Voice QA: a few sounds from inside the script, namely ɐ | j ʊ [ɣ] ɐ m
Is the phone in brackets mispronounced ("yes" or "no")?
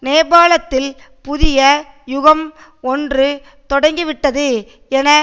no